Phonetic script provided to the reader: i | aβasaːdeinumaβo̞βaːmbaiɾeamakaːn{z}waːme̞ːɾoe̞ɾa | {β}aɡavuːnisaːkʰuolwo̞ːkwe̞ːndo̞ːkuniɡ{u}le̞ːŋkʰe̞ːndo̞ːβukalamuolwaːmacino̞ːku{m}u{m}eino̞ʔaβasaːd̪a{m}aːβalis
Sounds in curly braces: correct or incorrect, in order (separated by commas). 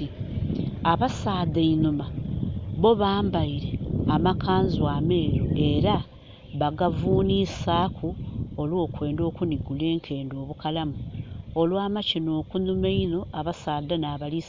correct, correct, correct, incorrect, correct, incorrect